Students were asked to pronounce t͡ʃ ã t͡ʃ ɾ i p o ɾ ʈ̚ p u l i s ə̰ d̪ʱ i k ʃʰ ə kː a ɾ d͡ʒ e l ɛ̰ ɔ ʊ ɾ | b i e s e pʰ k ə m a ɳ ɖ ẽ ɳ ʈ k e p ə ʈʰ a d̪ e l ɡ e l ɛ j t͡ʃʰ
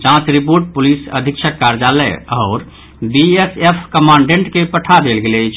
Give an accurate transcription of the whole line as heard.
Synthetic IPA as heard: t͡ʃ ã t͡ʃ ɾ i p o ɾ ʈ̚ p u l i s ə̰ d̪ʱ i k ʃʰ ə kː a ɾ d͡ʒ a l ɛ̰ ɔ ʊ ɾ | b i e s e pʰ k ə m a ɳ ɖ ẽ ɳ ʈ k e p ə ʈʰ a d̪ e l ɡ e l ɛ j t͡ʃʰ